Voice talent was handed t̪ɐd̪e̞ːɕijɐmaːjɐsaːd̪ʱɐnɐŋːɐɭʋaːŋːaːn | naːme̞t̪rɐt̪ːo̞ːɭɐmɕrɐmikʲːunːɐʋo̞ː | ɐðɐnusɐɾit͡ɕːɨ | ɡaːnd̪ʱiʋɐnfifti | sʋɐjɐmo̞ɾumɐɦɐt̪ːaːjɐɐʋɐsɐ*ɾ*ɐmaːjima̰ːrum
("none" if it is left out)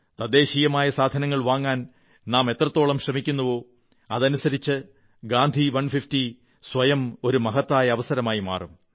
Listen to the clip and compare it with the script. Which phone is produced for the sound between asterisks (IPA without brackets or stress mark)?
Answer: ɾ